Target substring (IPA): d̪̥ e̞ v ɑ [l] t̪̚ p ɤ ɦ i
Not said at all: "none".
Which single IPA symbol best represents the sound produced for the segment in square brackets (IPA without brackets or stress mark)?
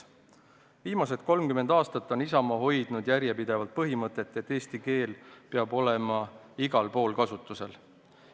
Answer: l